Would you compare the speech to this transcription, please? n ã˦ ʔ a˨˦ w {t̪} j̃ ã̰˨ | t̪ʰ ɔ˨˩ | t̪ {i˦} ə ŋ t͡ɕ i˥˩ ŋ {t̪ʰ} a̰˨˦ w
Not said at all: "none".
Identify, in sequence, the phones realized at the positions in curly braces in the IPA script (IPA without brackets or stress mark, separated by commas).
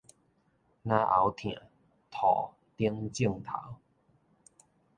t̪ʰ, i˦, t̪ʰ